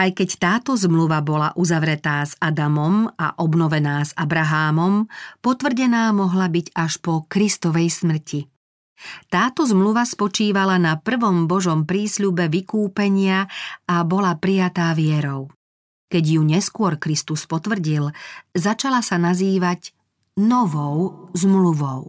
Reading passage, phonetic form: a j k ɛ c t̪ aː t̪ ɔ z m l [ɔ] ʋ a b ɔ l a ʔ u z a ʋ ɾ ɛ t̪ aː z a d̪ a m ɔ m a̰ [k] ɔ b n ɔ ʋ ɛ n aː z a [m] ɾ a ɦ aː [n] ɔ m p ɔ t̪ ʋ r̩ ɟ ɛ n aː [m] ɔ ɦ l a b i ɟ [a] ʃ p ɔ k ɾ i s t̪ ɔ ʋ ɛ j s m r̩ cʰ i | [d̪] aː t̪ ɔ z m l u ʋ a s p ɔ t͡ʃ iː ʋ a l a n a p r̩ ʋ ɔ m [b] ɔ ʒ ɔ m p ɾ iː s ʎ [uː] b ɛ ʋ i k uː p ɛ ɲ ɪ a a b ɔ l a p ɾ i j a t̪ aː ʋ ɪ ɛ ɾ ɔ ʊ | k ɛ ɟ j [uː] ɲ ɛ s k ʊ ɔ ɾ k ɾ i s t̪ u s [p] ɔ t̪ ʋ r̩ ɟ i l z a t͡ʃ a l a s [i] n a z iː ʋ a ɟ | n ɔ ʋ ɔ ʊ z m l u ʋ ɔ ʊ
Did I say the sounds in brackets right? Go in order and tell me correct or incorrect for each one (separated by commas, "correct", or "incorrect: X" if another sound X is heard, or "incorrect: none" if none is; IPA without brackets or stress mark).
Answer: incorrect: u, incorrect: ʔ, incorrect: b, incorrect: m, correct, correct, incorrect: t̪, correct, incorrect: u, incorrect: u, correct, incorrect: a